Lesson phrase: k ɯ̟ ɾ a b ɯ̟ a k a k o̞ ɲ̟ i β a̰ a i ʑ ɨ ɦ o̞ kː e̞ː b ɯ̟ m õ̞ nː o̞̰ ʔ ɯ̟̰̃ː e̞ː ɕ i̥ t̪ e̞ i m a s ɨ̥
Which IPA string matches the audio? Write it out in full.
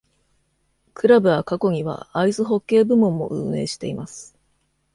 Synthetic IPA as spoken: k ɯ̟ ɾ a b ɯ̟ a k a k o̞ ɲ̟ i β a̰ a i z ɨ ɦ o̞ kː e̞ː b ɯ̟ m õ̞ mː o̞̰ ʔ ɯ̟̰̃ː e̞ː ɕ i̥ t̪ e̞ i m a s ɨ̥